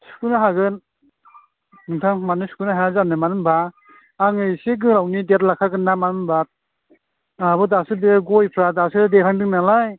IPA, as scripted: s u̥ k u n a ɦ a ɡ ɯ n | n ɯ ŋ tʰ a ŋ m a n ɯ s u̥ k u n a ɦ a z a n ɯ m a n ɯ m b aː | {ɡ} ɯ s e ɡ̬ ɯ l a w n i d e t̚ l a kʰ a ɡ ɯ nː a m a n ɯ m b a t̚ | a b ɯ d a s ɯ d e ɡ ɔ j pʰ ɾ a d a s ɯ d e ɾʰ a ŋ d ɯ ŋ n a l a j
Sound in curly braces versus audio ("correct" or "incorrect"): incorrect